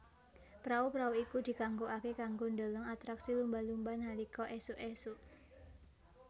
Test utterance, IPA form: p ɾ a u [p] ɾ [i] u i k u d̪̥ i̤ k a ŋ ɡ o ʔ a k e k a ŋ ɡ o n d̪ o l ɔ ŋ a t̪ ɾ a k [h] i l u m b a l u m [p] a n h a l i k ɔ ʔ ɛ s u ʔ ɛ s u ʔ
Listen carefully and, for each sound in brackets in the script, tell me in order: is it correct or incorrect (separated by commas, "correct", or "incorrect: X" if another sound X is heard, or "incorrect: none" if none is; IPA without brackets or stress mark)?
correct, incorrect: a, incorrect: s, incorrect: b